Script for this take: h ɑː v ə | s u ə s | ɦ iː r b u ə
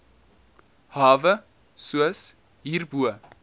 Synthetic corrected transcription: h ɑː v ə | s u ə s | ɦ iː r b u ə